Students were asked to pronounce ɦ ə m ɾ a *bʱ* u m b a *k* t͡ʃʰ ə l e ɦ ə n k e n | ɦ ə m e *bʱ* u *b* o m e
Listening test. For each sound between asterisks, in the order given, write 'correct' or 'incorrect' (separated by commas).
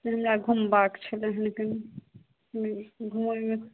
incorrect, correct, incorrect, incorrect